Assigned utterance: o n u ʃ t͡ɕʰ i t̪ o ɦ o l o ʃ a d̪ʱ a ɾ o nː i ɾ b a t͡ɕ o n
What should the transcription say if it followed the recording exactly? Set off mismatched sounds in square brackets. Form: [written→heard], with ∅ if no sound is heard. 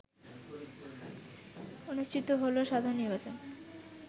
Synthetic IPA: o n u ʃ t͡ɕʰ i t̪ o ɦ o l o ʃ a d̪ʱ a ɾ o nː i ɾ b a t͡ɕ o n